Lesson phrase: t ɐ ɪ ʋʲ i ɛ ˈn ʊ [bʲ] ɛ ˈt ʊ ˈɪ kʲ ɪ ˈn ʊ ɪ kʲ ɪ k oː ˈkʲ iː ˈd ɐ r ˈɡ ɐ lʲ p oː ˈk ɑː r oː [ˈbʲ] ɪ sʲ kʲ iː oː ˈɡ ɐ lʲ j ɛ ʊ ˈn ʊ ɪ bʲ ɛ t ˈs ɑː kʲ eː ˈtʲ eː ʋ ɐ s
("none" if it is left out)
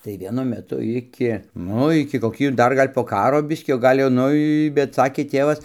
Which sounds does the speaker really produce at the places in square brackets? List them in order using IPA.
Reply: mʲ, bʲ

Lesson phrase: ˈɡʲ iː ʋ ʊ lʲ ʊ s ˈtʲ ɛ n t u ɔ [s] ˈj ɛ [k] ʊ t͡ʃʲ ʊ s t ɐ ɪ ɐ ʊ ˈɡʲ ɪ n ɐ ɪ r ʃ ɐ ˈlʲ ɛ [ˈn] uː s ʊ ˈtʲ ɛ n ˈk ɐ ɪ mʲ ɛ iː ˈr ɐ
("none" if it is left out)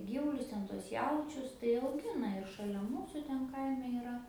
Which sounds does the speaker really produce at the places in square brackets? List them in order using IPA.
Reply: s, none, m

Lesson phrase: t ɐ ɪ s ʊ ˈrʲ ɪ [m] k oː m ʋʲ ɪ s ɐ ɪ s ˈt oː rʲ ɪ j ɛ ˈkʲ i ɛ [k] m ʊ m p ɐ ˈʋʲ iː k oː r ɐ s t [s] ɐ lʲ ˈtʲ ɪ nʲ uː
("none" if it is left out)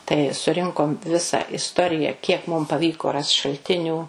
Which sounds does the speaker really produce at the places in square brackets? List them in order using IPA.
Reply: ŋ, k, ʃ

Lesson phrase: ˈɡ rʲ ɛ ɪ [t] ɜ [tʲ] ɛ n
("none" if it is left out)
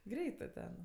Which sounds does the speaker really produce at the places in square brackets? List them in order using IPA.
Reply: t, tʲ

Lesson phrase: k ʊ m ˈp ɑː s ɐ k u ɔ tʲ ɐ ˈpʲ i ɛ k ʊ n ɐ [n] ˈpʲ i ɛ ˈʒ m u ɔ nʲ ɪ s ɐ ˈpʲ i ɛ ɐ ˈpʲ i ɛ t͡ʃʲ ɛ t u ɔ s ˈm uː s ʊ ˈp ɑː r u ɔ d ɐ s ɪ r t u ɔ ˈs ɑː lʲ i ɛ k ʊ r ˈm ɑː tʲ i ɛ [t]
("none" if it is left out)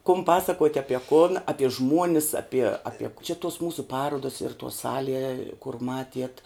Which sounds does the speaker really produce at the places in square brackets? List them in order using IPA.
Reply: none, t

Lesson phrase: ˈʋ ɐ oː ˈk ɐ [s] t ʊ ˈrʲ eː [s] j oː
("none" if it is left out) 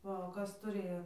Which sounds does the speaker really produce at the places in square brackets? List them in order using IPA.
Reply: s, none

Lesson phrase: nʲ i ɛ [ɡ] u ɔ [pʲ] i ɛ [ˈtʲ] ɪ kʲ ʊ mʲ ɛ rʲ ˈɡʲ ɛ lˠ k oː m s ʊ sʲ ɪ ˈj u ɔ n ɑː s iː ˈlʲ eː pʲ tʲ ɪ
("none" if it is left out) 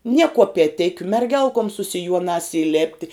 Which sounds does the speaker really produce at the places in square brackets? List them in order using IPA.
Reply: k, pʲ, tʲ

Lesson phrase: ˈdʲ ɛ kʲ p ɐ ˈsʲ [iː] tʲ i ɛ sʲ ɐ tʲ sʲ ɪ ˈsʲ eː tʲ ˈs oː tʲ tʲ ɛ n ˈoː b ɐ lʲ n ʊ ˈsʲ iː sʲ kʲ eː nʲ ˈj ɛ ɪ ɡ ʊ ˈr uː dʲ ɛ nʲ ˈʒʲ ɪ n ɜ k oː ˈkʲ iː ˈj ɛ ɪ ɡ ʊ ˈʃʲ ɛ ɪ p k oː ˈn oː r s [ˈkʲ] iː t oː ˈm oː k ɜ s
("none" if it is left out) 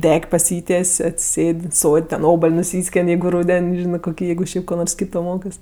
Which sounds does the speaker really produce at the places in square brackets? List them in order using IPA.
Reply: iː, kʲ

